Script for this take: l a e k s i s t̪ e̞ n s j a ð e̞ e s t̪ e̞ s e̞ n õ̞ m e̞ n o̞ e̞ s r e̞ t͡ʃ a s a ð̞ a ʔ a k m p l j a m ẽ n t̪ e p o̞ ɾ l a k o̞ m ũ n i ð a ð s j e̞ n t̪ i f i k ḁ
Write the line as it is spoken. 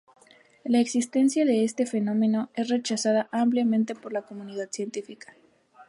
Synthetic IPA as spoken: l a e k s i s t̪ e̞ n s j a ð e̞ e s t̪ e̞ f e̞ n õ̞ m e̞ n o̞ e̞ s r e̞ t͡ʃ a s a ð̞ a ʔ a m p l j a m ẽ n t̪ e p o̞ ɾ l a k o̞ m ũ n i ð a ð s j e̞ n t̪ i f i k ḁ